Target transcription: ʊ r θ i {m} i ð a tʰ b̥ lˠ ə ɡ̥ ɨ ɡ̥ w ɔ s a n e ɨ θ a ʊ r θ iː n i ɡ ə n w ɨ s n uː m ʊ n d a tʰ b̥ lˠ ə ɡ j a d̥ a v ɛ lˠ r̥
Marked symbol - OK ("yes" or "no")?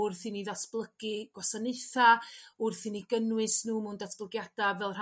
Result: no